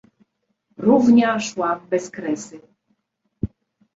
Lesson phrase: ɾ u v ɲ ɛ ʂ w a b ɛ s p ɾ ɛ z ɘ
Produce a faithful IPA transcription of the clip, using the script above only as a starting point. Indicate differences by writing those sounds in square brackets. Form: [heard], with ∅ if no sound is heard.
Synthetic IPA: ɾ u v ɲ [a] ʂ w a b ɛ s [k] ɾ ɛ [s] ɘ